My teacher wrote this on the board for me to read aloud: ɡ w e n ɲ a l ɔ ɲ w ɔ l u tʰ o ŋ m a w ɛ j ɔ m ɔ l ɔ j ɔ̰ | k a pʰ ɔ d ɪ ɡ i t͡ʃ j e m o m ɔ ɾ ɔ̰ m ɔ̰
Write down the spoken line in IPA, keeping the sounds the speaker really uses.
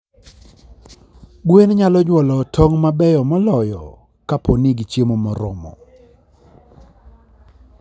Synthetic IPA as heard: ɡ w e n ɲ a l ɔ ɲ w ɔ l ɔ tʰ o ŋ m a b ɛ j ɔ m ɔ l ɔ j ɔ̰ | k a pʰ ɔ n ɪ ɡ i t͡ʃ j e m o m ɔ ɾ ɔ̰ m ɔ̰